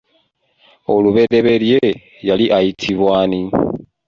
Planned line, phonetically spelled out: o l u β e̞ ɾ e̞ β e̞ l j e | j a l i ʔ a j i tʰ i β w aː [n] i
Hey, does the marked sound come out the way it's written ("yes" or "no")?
yes